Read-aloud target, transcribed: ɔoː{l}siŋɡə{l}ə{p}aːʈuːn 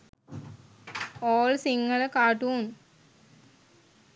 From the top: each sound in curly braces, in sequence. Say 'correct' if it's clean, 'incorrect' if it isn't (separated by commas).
correct, correct, incorrect